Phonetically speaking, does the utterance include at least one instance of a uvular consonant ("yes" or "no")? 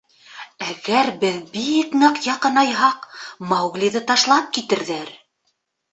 yes